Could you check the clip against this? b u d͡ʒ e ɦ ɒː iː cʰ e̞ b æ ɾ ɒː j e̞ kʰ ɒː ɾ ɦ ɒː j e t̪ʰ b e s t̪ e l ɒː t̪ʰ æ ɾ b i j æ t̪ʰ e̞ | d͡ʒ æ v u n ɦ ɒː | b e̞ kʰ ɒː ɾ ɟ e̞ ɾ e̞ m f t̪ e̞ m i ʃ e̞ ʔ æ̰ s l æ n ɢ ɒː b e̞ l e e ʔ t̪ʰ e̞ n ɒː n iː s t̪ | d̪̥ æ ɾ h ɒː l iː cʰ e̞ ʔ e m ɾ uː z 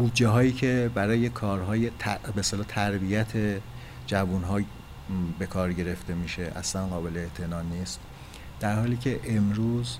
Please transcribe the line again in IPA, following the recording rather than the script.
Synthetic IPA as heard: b u d͡ʒ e ɦ ɒː iː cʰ e̞ b æ ɾ ɒː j e̞ kʰ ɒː ɾ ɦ ɒː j e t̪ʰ b e s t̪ e l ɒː t̪ʰ æ ɾ b i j æ t̪ʰ e̞ | d͡ʒ æ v u n ɦ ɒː | b e̞ kʰ ɒː ɾ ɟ e̞ ɾ e̞ f t̪ e̞ m i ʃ e̞ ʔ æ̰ s l æ n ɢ ɒː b e̞ l e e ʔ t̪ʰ e̞ n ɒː n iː s t̪ | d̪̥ æ ɾ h ɒː l iː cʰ e̞ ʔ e m ɾ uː z